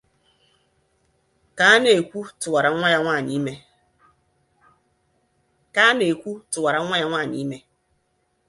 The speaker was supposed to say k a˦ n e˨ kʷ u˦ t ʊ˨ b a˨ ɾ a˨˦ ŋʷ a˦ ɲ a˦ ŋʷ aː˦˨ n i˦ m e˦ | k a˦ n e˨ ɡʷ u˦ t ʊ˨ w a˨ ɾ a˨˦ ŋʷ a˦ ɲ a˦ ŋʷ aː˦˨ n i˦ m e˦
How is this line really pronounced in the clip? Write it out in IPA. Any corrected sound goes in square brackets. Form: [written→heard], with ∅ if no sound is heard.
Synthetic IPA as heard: k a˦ n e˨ kʷ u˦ t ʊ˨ [b→w] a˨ ɾ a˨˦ ŋʷ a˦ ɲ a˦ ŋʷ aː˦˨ n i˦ m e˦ | k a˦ n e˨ [ɡʷ→kʷ] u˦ t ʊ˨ w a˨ ɾ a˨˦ ŋʷ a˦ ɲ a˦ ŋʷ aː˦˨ n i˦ m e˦